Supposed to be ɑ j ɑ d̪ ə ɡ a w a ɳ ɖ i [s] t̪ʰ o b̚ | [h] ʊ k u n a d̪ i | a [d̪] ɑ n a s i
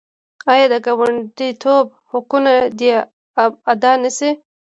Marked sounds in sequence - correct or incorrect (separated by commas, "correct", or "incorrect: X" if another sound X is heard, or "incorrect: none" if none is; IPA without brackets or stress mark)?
incorrect: none, correct, correct